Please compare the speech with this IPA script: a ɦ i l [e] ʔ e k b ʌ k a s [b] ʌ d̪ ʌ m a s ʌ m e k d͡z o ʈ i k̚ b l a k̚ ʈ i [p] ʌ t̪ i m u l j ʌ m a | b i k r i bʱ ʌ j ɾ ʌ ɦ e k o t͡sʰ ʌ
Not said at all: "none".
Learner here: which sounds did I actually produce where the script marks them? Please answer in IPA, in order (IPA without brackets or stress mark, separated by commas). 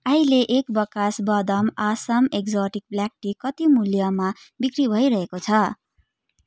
e, b, k